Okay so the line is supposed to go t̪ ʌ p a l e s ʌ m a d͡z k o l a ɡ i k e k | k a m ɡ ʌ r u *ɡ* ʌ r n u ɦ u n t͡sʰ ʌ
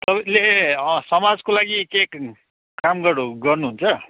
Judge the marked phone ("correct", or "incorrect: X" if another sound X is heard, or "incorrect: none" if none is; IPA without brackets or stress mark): correct